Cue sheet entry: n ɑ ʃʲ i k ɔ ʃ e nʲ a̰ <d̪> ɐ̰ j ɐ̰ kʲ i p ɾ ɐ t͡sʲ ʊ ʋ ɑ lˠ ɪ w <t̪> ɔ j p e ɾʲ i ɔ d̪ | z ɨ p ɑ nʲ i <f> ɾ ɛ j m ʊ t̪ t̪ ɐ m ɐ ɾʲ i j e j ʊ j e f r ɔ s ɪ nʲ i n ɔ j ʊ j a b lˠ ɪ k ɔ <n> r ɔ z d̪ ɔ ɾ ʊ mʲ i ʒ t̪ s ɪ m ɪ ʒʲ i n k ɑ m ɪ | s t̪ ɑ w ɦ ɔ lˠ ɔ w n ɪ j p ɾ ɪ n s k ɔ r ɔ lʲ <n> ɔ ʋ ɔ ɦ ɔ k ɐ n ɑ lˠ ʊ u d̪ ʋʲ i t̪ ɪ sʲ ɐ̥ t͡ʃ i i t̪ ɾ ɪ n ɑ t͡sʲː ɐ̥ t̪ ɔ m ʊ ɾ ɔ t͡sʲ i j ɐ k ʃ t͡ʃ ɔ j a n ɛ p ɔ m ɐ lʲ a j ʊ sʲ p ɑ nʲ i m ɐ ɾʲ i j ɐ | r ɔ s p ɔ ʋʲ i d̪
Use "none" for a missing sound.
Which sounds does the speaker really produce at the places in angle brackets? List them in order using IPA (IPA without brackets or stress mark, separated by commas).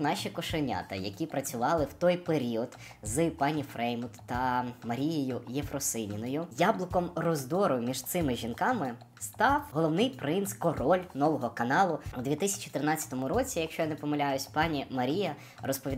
t̪, t̪, f, m, n